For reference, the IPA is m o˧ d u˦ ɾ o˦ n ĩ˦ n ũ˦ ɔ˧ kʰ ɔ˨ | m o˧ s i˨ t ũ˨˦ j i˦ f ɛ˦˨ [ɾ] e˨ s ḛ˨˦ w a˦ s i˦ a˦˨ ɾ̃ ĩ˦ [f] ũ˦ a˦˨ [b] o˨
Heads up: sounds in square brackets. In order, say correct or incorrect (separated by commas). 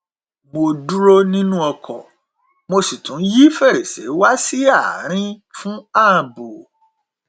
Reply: correct, correct, correct